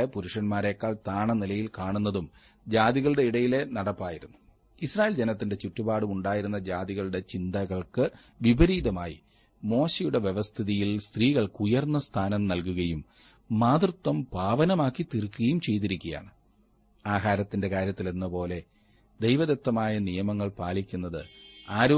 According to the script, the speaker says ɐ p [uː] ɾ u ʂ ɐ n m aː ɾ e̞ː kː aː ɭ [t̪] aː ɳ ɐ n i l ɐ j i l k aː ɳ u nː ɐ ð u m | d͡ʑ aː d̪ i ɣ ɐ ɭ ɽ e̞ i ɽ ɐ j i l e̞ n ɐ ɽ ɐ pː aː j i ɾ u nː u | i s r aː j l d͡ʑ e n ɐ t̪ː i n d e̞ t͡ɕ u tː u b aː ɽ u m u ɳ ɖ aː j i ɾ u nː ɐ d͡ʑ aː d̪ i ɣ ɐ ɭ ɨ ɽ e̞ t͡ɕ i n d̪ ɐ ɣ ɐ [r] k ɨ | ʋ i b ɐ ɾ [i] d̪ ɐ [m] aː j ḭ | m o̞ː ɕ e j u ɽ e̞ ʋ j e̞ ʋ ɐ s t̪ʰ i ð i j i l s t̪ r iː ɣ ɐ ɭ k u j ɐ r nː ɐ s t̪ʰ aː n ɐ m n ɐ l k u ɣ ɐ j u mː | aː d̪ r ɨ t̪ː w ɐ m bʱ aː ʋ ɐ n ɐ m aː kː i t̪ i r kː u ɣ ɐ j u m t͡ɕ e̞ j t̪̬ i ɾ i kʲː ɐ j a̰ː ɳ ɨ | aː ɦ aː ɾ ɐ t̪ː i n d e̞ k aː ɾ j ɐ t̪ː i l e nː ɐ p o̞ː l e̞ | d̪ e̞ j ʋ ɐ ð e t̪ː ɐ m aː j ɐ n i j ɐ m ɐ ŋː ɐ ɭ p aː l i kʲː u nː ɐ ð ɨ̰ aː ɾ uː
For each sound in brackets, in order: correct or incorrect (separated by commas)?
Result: incorrect, correct, incorrect, incorrect, correct